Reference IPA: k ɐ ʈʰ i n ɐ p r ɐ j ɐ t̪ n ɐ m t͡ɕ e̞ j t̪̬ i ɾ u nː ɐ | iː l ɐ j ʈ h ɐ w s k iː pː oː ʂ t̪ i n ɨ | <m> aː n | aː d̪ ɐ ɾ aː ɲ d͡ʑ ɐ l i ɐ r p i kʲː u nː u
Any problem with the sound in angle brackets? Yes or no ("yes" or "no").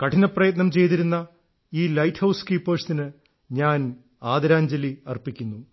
yes